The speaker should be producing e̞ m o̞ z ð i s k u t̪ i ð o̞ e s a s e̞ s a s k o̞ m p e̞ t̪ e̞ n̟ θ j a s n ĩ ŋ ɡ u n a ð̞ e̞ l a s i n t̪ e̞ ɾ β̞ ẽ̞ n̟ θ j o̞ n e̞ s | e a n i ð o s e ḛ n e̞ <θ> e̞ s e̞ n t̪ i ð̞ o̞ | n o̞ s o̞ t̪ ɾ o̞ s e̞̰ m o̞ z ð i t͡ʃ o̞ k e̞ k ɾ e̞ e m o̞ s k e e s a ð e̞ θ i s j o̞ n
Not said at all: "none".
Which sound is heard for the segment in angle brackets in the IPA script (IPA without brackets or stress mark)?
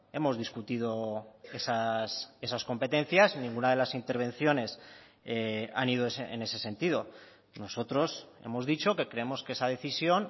s